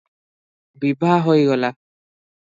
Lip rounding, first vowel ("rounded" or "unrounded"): unrounded